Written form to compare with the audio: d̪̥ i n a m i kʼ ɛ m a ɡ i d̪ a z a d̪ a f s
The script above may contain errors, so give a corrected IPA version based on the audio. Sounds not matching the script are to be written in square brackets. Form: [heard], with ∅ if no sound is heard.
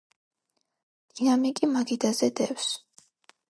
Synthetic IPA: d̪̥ i n a m i kʼ [i] m a ɡ i d̪ a z [ɛ] d̪ [ɛ] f s